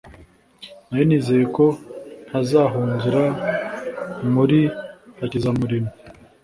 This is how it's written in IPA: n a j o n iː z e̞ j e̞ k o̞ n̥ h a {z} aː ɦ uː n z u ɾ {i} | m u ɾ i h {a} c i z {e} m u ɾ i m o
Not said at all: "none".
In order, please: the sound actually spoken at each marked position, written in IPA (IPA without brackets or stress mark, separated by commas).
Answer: z, a, a, a